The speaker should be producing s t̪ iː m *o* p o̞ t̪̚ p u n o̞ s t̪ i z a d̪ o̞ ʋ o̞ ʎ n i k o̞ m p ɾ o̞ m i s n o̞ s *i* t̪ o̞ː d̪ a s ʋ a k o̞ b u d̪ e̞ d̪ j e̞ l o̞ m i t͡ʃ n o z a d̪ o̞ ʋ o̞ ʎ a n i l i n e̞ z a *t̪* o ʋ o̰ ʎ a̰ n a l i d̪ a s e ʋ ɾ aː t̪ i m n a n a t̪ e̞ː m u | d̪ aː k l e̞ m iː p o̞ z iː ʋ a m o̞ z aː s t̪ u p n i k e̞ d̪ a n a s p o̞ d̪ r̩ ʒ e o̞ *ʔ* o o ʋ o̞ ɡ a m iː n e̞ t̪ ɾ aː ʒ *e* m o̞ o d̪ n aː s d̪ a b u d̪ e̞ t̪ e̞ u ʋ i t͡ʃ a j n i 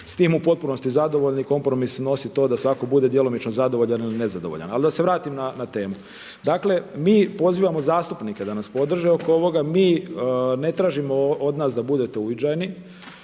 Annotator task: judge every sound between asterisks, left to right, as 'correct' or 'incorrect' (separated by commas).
incorrect, correct, incorrect, incorrect, incorrect